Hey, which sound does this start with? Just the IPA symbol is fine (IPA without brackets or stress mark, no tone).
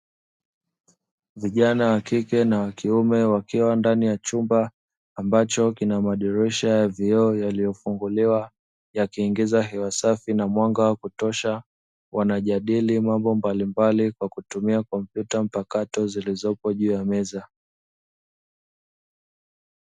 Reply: v